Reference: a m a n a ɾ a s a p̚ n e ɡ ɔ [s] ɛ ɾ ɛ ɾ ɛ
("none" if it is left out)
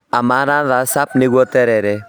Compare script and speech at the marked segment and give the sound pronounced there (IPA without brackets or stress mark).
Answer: t